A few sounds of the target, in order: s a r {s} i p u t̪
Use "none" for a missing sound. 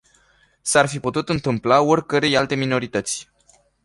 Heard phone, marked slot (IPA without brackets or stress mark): f